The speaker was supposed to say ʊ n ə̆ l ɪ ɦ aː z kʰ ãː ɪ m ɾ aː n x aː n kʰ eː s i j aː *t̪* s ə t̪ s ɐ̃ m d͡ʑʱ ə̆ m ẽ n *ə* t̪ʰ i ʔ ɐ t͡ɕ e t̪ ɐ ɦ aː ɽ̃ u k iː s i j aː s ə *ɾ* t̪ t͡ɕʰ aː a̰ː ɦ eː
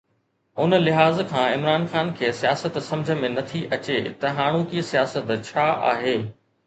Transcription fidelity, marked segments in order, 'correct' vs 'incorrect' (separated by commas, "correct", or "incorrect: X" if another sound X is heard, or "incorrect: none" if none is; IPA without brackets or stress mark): incorrect: none, incorrect: ɐ, incorrect: none